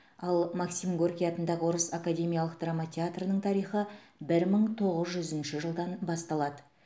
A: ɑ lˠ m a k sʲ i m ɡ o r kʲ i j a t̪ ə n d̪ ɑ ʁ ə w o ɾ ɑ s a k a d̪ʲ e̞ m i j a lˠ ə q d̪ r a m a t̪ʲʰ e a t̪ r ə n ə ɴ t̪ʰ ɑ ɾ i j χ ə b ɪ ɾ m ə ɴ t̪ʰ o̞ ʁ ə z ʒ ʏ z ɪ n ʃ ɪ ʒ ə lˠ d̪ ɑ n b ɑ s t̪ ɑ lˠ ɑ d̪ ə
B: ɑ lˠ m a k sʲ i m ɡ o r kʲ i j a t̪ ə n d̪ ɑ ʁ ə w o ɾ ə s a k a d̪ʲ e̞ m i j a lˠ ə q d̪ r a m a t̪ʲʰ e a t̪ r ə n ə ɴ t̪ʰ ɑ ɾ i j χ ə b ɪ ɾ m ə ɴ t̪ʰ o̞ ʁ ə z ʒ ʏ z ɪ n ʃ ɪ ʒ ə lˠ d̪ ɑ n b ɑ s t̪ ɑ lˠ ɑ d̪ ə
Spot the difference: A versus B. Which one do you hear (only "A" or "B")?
B